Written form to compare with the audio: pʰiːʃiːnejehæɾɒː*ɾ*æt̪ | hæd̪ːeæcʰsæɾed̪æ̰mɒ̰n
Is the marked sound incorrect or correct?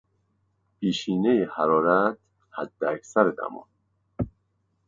correct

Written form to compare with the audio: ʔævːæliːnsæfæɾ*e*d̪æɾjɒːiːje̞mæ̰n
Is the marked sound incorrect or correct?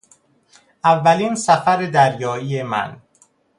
correct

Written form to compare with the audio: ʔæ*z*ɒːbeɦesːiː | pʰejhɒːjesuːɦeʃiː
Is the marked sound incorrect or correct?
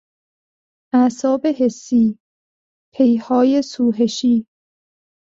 incorrect: s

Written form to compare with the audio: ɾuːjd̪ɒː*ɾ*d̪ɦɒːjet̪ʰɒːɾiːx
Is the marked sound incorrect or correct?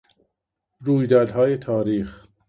correct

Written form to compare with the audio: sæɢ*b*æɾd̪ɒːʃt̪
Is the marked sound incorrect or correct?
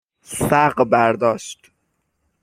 correct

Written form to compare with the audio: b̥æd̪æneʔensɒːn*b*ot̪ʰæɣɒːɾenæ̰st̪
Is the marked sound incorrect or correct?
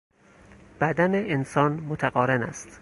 incorrect: m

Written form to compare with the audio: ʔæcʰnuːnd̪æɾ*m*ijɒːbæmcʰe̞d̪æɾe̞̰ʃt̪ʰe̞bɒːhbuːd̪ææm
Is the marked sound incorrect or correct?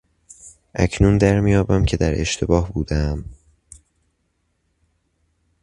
correct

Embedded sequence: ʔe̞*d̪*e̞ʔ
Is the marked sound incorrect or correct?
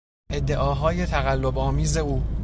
incorrect: d̪ː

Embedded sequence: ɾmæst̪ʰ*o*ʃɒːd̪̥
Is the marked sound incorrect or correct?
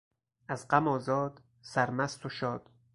correct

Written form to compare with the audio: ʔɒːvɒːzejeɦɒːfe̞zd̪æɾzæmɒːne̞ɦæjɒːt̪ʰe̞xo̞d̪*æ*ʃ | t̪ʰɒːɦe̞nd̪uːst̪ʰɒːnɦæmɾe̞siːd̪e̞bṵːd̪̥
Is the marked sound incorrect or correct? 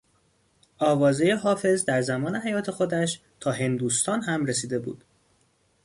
correct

